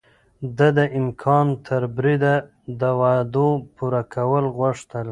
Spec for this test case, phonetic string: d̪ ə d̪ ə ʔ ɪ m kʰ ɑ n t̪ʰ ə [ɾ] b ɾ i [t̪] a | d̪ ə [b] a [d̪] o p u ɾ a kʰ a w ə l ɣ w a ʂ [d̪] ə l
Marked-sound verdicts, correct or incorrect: correct, incorrect, incorrect, correct, incorrect

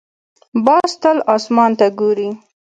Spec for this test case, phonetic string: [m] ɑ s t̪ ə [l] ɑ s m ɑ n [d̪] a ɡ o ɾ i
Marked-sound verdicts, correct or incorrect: incorrect, correct, incorrect

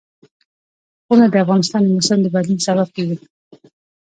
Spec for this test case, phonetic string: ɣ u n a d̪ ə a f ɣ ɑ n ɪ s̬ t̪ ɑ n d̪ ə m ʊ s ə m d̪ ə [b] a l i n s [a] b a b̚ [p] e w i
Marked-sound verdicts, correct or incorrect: correct, correct, incorrect

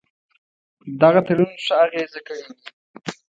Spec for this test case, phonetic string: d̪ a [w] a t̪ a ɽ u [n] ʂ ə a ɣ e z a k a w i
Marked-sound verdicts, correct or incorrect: incorrect, correct

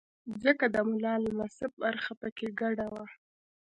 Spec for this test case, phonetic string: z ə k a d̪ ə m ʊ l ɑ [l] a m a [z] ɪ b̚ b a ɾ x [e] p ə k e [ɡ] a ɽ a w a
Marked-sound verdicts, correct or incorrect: correct, incorrect, incorrect, correct

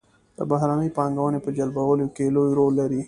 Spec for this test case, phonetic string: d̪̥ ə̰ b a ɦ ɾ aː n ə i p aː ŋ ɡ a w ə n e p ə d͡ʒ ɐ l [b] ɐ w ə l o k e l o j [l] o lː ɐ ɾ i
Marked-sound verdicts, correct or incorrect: correct, incorrect

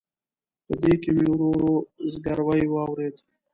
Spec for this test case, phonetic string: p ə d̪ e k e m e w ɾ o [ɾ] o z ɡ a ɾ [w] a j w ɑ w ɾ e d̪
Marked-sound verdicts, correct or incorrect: correct, correct

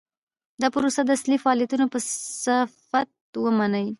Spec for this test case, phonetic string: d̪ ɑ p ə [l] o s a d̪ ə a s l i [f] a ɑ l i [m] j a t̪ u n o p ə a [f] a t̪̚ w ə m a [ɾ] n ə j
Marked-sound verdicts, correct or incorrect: incorrect, correct, incorrect, correct, incorrect

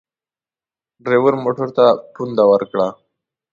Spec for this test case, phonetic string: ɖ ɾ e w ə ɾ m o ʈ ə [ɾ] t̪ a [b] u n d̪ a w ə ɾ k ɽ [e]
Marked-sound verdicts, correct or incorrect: correct, incorrect, incorrect

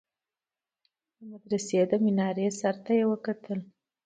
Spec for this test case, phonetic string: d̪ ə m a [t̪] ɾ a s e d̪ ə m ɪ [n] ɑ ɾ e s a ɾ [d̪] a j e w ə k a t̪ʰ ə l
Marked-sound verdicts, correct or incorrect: incorrect, correct, incorrect

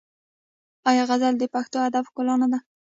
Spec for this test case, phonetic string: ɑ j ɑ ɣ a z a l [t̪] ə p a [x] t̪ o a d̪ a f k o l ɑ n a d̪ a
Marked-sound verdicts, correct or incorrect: incorrect, correct

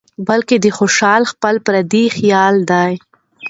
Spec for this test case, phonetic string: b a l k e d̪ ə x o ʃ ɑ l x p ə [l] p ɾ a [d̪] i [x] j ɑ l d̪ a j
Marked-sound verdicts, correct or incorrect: correct, correct, correct

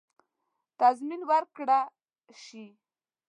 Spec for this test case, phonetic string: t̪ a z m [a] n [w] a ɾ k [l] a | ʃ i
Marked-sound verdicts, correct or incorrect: incorrect, correct, incorrect

